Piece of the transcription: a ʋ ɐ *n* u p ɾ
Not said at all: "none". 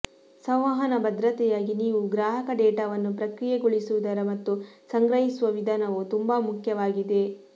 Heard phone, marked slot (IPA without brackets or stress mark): nː